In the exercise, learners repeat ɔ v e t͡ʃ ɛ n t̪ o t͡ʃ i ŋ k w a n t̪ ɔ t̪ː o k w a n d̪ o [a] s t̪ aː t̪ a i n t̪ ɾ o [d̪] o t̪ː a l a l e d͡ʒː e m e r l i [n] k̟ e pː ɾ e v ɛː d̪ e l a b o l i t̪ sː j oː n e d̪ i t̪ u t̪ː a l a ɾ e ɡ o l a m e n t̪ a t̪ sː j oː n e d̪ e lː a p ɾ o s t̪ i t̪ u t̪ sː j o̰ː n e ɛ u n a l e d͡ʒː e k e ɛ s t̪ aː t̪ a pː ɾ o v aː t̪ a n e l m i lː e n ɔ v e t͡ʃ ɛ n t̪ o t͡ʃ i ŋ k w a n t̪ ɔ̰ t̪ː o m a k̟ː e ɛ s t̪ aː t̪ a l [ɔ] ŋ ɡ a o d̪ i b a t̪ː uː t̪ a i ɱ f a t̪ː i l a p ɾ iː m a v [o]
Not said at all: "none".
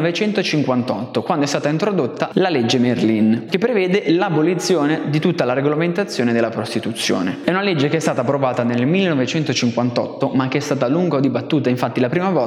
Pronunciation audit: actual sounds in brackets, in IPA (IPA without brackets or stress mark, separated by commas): ɛ, d̪, n, u, ɔ